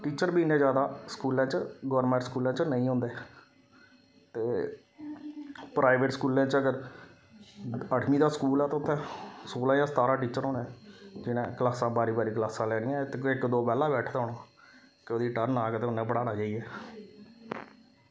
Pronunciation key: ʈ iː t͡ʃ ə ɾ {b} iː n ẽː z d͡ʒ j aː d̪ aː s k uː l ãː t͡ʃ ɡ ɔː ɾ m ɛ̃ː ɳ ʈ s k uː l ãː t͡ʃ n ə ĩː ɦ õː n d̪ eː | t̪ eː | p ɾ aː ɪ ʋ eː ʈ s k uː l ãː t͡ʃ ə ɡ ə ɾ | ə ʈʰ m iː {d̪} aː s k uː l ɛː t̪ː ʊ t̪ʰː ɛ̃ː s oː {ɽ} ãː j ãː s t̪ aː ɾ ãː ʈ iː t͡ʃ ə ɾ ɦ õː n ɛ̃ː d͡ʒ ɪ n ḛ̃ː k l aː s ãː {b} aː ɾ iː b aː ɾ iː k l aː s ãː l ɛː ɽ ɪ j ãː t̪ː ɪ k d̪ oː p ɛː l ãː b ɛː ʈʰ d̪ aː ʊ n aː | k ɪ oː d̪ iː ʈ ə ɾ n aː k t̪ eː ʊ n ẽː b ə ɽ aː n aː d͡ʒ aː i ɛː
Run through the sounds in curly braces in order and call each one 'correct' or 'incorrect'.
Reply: correct, correct, incorrect: l, correct

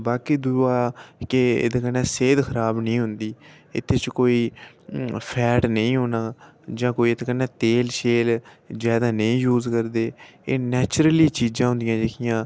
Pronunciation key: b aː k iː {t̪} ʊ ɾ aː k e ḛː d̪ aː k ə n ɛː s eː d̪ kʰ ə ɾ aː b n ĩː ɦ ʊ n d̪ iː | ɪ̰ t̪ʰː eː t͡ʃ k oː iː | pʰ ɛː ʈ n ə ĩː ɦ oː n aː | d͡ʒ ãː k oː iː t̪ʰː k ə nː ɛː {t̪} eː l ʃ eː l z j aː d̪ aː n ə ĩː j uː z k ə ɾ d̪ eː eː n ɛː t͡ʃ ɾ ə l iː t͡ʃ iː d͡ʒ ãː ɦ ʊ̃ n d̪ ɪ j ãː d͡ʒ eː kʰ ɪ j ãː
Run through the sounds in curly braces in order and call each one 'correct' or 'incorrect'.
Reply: incorrect: d̪, correct

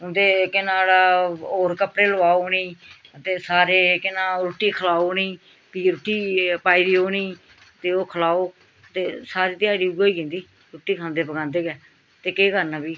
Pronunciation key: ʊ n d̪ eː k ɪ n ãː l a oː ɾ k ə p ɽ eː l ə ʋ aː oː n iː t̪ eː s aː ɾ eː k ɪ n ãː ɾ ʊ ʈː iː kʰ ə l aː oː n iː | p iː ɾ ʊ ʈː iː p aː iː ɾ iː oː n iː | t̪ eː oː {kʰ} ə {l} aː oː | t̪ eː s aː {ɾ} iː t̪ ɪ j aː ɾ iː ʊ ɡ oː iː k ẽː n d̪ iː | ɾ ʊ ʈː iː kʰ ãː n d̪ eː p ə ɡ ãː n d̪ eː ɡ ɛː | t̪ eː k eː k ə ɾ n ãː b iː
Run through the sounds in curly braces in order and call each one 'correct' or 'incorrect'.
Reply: correct, correct, correct

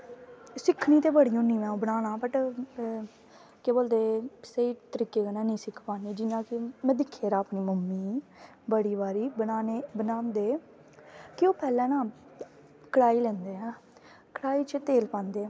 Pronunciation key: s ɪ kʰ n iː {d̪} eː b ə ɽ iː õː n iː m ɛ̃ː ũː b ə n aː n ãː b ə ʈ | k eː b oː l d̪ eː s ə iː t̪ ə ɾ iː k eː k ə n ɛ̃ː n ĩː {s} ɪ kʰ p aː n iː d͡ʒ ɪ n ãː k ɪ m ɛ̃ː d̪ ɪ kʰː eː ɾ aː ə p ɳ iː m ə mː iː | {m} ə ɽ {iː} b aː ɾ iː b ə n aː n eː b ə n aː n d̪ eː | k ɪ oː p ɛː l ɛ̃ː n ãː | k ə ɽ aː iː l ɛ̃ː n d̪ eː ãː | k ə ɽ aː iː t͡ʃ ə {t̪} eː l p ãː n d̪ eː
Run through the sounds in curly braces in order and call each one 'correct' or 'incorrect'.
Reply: incorrect: t̪, correct, incorrect: b, correct, correct

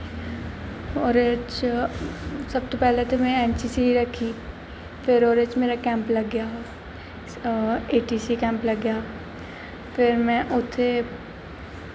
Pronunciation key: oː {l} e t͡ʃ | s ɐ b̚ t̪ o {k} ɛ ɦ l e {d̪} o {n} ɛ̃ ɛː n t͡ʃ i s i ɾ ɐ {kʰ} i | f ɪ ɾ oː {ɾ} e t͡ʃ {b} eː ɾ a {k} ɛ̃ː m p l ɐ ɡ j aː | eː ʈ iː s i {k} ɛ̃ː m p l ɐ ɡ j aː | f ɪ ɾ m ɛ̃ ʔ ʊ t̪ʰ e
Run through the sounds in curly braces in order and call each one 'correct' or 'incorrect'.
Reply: incorrect: ɾ, incorrect: p, incorrect: t̪, incorrect: m, correct, correct, incorrect: m, correct, correct

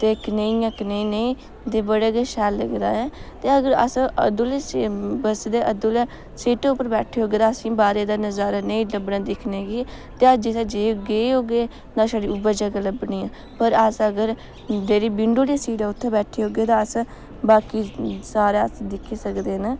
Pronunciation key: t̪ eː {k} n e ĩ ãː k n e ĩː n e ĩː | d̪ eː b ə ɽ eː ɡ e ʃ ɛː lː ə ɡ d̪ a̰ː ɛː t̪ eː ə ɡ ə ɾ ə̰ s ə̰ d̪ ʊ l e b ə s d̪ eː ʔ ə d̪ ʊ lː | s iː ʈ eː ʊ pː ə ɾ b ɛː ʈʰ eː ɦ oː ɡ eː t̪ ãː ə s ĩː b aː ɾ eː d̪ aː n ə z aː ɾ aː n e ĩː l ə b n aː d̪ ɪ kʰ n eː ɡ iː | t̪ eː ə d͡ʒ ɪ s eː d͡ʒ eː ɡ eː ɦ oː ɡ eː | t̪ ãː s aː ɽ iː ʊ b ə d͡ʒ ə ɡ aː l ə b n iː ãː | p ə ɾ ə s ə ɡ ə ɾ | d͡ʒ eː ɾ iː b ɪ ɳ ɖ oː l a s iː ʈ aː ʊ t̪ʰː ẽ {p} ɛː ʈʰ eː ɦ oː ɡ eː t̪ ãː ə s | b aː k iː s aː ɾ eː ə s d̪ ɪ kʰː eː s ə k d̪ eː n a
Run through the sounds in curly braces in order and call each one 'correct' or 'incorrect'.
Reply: correct, incorrect: b

